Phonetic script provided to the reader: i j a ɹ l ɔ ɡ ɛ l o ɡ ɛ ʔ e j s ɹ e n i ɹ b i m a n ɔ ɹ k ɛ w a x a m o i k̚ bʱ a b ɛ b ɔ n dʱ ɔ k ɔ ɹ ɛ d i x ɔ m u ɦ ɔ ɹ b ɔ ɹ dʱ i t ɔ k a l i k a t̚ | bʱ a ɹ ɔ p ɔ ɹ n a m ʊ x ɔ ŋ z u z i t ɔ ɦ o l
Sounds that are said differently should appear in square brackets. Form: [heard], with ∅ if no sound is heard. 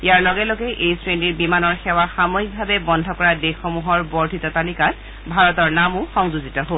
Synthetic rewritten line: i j a ɹ l ɔ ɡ ɛ l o ɡ ɛ ʔ e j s ɹ e n i ɹ b i m a n ɔ ɹ [x] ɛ w a x a m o i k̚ bʱ a b ɛ b ɔ n dʱ ɔ k ɔ ɹ [a] d [e] x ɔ m u ɦ ɔ ɹ b ɔ ɹ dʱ i t ɔ [t] a l i k a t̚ | bʱ a ɹ ɔ [t] ɔ ɹ n a m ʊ x ɔ ŋ z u z i t ɔ ɦ o l